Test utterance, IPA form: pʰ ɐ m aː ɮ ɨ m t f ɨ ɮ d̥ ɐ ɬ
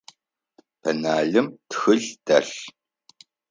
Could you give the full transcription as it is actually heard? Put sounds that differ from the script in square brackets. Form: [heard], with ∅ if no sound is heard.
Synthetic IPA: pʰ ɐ [n] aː ɮ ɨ m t [x] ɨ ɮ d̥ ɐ ɬ